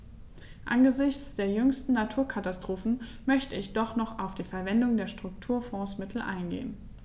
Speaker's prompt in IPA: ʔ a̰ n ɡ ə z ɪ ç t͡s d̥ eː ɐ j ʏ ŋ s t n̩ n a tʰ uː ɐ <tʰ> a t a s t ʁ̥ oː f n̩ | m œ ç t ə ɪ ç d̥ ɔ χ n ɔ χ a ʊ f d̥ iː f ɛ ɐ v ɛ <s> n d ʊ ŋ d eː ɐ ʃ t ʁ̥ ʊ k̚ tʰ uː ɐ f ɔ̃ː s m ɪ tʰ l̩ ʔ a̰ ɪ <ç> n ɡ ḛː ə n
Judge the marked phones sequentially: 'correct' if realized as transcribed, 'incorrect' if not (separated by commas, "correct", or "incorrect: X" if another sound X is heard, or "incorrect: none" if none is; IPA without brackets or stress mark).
incorrect: kʰ, incorrect: none, incorrect: none